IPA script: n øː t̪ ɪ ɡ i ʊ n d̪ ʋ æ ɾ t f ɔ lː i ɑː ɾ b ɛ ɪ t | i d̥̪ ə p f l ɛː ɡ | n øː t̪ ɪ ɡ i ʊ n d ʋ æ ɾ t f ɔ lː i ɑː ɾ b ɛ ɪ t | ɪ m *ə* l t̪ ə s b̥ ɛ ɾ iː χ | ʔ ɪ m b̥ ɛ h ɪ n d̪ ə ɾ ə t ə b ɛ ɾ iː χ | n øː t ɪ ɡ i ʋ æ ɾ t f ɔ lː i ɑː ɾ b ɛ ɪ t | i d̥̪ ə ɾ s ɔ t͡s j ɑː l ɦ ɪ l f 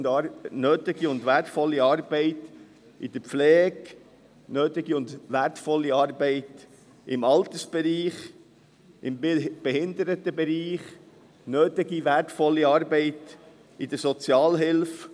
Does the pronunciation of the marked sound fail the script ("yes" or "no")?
yes